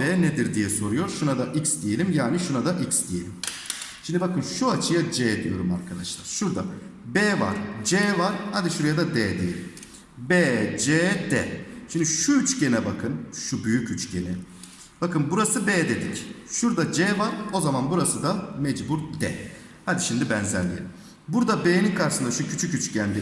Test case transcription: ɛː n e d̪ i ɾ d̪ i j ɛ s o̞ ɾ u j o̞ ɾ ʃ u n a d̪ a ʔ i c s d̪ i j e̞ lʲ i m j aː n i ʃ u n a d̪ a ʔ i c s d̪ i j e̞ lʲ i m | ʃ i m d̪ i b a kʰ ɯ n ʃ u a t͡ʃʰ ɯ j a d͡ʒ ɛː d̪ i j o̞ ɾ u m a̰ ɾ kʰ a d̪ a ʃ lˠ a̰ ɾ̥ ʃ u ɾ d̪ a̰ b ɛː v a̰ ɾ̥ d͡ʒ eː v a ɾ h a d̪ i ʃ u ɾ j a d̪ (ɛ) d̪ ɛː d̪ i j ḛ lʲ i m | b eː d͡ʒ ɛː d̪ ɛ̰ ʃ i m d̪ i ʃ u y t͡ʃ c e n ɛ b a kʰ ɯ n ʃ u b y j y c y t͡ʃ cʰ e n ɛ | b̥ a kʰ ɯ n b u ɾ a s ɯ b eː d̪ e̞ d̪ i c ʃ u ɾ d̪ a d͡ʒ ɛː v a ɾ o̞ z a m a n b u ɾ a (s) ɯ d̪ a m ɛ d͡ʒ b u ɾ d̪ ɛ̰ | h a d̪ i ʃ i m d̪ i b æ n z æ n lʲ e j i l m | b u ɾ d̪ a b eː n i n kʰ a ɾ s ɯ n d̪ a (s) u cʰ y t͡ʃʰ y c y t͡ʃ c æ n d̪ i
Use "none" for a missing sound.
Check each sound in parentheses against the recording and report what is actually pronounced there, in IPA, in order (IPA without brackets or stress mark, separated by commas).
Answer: a, s, ʃ